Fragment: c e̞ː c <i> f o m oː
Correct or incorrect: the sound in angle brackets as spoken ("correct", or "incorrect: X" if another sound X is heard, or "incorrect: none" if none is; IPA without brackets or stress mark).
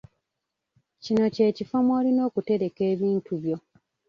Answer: correct